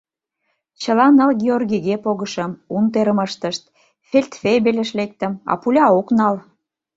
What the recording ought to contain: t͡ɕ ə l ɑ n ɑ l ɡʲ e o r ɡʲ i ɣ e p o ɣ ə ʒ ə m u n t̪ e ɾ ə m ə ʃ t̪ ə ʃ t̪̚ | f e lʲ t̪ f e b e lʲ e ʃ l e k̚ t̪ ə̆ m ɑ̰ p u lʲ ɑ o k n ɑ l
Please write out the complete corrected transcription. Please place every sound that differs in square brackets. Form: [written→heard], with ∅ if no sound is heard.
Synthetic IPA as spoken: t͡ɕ ə l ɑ n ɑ l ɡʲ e o r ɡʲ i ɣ e p o ɣ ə [ʒ→ʃ] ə m u n t̪ e ɾ ə m ə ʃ t̪ ə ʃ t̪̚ | f e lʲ t̪ f e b e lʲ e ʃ l e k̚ t̪ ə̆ m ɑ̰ p u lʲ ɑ o k n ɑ l